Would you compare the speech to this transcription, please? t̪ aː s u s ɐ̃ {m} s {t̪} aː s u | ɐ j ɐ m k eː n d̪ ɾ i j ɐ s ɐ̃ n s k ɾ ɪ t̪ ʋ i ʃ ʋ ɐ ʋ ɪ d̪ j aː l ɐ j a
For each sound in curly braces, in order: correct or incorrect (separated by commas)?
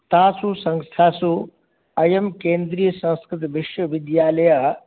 incorrect, incorrect